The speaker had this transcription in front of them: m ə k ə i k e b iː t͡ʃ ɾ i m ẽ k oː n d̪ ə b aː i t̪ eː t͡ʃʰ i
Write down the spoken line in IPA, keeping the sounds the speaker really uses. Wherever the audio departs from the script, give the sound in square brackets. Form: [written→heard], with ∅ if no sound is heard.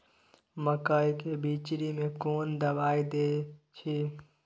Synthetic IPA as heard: m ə k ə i k e b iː t͡ʃ ɾ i m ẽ k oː n d̪ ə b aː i [t̪→d̪] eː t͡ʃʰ i